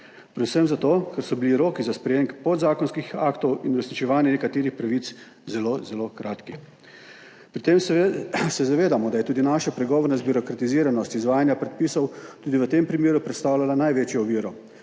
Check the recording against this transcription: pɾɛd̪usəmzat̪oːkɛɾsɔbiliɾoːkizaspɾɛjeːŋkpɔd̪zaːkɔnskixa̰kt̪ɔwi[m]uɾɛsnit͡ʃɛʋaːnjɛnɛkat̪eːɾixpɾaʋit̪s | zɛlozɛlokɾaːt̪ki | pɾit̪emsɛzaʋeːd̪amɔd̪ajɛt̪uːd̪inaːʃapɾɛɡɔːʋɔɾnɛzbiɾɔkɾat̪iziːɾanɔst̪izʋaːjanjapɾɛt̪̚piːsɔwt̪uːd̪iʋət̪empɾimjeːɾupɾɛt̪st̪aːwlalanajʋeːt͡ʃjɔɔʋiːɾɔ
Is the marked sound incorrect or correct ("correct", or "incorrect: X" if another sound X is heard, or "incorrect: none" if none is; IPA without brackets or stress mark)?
incorrect: n